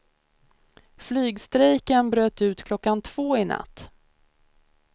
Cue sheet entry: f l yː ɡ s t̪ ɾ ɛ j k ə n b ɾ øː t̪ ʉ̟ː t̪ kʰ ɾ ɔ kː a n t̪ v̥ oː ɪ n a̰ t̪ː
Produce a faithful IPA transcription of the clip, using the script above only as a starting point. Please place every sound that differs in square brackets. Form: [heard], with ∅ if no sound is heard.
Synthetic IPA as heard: f l yː ɡ s t̪ ɾ ɛ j k ə n b ɾ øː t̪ ʉ̟ː t̪ kʰ [l] ɔ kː a n [t̪ʰ] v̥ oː ɪ n a̰ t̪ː